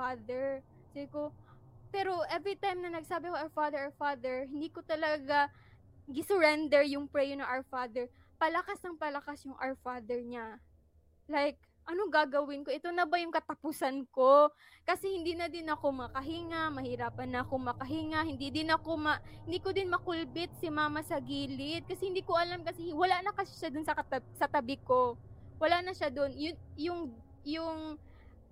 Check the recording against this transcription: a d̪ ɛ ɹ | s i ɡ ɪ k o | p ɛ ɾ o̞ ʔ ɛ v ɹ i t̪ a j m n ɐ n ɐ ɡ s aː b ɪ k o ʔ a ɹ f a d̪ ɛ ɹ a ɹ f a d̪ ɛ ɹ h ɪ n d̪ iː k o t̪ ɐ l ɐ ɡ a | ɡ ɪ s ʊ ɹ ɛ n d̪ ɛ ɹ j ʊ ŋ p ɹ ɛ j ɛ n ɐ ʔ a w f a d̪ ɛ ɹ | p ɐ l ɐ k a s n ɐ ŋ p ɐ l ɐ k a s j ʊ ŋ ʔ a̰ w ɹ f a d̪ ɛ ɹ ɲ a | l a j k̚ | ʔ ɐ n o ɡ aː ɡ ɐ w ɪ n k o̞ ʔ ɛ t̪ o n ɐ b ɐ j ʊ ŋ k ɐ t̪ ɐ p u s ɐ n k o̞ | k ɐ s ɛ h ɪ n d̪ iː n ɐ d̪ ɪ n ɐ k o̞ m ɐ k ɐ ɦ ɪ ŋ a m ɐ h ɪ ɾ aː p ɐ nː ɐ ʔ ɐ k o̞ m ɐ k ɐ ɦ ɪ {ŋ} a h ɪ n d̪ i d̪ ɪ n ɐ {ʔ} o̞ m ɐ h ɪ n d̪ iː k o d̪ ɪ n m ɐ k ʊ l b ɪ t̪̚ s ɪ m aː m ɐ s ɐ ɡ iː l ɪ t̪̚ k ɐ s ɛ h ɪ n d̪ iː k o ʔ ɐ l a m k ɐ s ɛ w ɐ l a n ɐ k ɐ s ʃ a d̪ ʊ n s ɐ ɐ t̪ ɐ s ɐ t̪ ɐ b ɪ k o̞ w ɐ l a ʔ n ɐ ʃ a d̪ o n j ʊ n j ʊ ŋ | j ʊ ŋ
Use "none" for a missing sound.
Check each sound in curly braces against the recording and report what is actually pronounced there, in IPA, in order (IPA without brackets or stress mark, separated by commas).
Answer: ŋ, k